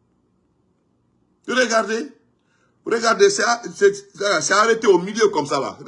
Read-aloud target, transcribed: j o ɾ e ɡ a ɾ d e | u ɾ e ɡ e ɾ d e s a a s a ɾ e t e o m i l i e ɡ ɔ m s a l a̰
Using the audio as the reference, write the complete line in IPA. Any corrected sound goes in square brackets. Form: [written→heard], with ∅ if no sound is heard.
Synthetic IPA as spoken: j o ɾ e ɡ a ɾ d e | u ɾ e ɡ [e→a] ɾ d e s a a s a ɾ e t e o m i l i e [ɡ→k] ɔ m s a l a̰